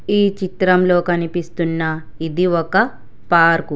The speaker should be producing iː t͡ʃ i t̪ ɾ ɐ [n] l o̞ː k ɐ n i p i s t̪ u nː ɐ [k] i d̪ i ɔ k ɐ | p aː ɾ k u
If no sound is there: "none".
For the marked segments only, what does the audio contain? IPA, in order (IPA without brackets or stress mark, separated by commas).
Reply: m, none